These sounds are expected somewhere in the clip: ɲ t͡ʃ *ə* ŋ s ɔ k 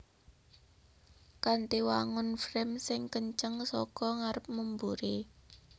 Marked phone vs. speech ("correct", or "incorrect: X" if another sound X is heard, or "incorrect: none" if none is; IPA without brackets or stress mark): correct